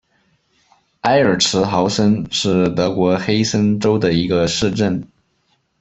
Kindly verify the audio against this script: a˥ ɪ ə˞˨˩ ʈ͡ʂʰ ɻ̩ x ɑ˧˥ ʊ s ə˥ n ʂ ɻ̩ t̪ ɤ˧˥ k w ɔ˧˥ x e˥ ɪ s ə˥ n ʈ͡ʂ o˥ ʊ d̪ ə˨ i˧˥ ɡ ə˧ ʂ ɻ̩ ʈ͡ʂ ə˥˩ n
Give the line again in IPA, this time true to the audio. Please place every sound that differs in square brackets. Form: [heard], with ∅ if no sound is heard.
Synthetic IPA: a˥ ɪ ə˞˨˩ ʈ͡ʂʰ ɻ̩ x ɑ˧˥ ʊ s ə˥ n ʂ ɻ̩ t̪ ɤ˧˥ k w ɔ˧˥ x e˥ ɪ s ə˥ n ʈ͡ʂ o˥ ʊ d̪ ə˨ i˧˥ ɡ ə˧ ʂ ɻ̩ ʈ͡ʂ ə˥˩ n